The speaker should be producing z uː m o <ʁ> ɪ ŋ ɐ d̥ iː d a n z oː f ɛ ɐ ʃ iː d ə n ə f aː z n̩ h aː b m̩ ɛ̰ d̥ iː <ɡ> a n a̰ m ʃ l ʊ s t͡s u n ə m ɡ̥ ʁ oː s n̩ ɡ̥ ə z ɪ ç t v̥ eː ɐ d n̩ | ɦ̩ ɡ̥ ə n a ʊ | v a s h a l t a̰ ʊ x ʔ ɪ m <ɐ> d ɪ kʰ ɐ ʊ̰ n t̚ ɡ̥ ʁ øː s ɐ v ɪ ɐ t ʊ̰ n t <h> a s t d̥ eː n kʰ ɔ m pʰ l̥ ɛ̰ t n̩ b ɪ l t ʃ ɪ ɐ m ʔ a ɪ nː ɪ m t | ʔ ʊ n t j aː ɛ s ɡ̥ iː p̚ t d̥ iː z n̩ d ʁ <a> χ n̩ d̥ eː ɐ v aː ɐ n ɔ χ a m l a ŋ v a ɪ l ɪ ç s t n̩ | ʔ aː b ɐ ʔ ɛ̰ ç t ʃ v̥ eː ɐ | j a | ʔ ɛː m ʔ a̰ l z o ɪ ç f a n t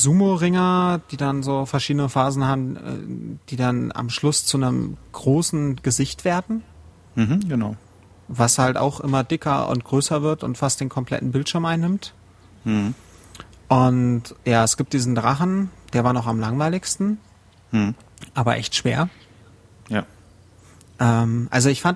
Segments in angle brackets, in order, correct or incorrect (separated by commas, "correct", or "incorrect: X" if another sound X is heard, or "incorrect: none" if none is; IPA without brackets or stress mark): correct, incorrect: d, correct, incorrect: f, correct